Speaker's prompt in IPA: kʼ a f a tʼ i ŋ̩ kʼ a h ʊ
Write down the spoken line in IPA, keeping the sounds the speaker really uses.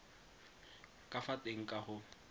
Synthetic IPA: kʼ a f a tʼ e ŋ̩ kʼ a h ʊ